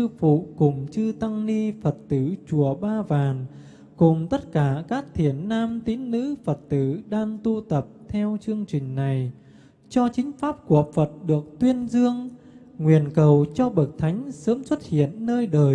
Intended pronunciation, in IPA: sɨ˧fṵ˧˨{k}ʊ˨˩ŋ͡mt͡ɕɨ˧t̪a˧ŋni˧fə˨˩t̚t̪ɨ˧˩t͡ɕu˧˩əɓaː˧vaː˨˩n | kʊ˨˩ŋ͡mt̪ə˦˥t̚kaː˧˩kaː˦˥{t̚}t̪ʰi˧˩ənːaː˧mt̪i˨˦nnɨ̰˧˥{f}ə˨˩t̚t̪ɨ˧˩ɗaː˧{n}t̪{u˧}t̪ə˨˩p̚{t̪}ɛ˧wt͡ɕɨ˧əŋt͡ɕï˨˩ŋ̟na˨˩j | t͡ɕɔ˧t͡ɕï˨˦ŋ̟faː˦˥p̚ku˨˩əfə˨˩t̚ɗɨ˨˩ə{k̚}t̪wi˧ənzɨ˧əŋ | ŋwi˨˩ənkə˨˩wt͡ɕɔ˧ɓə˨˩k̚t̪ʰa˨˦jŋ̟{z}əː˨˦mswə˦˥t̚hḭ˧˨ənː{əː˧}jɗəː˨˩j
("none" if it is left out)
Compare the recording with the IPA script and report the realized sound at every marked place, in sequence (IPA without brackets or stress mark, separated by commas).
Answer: k, k̚, f, ŋ, u˧, t̪ʰ, k̚, s, əː˧